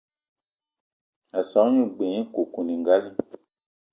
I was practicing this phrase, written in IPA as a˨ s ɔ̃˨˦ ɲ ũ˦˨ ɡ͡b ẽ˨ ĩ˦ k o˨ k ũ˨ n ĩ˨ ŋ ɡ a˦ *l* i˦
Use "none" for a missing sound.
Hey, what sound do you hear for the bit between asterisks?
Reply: l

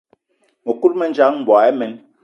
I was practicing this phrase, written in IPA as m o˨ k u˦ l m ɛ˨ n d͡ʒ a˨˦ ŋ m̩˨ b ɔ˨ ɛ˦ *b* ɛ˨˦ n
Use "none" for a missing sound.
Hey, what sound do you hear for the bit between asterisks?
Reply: m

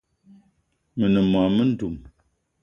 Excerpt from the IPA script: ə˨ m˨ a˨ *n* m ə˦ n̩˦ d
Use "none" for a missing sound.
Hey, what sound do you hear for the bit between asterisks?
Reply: none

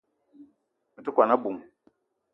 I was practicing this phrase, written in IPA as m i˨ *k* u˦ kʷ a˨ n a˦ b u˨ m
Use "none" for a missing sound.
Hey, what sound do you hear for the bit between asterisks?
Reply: t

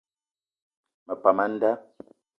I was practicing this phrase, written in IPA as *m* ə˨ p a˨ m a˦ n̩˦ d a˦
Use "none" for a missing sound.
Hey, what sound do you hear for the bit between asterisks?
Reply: m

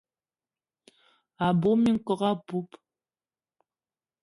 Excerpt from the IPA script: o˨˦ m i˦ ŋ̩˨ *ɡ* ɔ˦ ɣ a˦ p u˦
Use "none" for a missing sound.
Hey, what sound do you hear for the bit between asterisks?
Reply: k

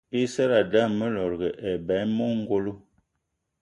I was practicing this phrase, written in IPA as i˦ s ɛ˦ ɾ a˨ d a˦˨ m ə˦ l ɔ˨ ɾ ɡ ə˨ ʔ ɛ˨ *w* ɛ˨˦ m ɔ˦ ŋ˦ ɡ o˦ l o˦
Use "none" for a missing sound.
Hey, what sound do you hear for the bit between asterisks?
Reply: b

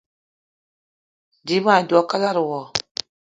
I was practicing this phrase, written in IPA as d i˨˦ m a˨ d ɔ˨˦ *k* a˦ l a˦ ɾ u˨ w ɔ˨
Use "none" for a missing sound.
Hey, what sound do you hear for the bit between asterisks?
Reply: k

